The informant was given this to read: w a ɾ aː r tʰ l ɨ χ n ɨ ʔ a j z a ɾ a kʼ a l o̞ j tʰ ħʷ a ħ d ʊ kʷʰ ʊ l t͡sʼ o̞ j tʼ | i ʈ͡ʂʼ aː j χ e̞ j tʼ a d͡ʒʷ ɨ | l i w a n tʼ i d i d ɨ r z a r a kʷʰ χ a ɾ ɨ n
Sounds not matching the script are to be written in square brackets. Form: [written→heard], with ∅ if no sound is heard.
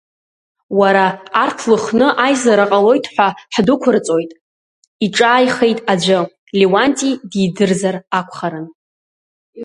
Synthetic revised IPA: w a ɾ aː r tʰ l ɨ χ n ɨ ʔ a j z a ɾ a [kʼ→qʼ] a l o̞ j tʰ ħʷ a ħ d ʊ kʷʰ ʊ [l→r] t͡sʼ o̞ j tʼ | i ʈ͡ʂʼ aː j χ e̞ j tʼ a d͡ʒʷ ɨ | l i w a n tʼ i d i d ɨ r z a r a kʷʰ χ a ɾ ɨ n